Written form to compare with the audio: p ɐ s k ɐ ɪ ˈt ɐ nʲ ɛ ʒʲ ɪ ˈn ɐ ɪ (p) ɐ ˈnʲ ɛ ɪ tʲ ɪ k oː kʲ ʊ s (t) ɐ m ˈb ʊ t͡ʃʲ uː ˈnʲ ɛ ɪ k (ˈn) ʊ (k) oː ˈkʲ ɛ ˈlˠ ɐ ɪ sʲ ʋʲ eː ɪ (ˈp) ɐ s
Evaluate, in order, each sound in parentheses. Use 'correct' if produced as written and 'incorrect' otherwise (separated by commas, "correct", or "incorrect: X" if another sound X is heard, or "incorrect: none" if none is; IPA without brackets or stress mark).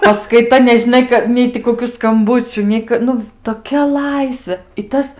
incorrect: k, incorrect: k, correct, incorrect: t, incorrect: t